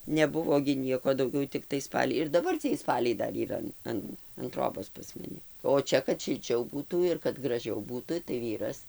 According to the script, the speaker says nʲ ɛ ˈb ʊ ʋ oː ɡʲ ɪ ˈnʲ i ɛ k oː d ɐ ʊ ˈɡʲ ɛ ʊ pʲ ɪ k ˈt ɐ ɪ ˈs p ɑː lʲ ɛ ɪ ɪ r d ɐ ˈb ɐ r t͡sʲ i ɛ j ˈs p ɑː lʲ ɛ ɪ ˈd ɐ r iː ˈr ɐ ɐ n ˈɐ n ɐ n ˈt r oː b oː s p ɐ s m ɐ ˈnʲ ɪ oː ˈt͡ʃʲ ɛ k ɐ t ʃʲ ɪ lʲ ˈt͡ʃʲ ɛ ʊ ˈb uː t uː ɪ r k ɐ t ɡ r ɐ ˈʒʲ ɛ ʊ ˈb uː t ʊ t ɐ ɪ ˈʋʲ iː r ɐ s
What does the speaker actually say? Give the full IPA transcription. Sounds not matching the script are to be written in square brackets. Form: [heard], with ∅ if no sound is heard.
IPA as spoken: nʲ ɛ ˈb ʊ ʋ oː ɡʲ ɪ ˈnʲ i ɛ k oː d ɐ ʊ ˈɡʲ ɛ ʊ [tʲ] ɪ k ˈt ɐ ɪ ˈs p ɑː lʲ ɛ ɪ ɪ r d ɐ ˈb ɐ r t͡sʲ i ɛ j ˈs p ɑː lʲ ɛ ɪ ˈd ɐ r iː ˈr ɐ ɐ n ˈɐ n ɐ n ˈt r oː b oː s p ɐ s m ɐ ˈnʲ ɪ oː ˈt͡ʃʲ ɛ k ɐ t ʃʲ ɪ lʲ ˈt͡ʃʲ ɛ ʊ ˈb uː t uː ɪ r k ɐ t ɡ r ɐ ˈʒʲ ɛ ʊ ˈb uː t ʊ t ɐ ɪ ˈʋʲ iː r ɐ s